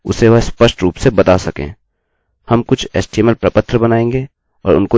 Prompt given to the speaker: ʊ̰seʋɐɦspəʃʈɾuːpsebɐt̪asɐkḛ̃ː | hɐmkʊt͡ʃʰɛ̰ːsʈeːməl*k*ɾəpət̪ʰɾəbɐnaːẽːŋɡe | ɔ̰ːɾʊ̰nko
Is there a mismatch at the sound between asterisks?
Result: yes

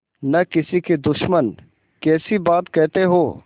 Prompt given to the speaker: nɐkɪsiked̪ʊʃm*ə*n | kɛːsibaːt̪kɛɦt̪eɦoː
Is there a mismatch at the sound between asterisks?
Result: no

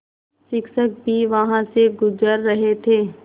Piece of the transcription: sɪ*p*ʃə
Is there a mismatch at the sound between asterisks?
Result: yes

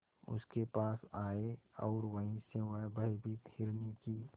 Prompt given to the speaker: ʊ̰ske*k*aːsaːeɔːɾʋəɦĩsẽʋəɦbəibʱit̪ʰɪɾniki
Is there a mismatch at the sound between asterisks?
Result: yes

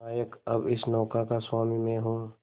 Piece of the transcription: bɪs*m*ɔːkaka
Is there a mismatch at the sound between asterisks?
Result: yes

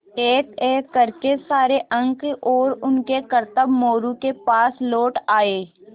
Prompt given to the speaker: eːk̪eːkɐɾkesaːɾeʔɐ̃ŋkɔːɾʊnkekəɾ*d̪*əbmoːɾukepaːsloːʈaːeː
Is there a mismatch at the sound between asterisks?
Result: yes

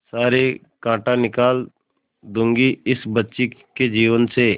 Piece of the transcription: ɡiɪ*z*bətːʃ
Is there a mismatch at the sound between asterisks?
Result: yes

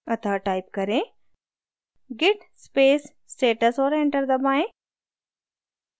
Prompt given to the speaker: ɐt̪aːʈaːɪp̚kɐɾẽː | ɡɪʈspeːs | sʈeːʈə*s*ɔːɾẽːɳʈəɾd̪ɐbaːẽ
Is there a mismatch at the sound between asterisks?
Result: no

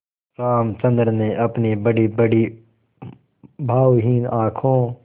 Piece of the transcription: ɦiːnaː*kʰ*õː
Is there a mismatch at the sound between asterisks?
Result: no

